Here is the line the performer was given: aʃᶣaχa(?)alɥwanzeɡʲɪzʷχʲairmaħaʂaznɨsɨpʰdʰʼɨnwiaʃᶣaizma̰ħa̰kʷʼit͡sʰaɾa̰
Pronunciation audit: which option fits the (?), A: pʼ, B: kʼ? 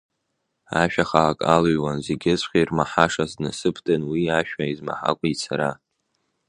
B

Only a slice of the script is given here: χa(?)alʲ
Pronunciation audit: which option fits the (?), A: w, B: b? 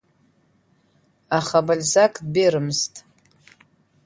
B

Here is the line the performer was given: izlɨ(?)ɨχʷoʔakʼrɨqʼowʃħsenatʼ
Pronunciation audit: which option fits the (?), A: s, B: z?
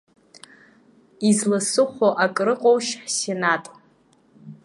A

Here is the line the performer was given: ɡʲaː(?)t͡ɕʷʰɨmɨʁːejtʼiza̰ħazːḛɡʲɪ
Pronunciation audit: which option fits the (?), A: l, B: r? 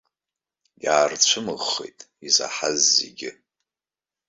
B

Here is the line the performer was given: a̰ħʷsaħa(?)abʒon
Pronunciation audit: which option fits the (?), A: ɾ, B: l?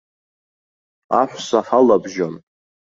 B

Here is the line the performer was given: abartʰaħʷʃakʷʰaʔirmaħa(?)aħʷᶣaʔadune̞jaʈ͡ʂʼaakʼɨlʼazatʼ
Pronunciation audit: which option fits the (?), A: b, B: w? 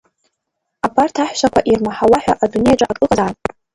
B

